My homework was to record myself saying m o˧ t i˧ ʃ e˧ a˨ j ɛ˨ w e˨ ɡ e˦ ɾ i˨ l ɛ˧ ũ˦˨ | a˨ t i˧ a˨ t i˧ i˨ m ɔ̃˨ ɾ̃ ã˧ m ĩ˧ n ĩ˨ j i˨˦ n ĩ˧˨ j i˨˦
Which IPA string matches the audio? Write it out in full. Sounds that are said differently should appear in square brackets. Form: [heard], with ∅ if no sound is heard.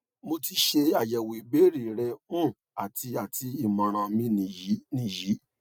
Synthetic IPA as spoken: m o˧ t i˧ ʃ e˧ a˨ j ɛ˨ w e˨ [b] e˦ ɾ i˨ [ɾ] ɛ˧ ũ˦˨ | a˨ t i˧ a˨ t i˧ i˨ m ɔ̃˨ ɾ̃ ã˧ m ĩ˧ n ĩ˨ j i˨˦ n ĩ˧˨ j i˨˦